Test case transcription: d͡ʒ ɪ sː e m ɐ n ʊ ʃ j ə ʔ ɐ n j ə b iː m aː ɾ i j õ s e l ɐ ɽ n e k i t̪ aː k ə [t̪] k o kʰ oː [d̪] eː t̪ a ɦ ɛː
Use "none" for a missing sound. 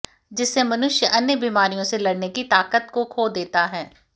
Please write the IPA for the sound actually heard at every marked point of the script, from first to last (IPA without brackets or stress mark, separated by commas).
t̪, d̪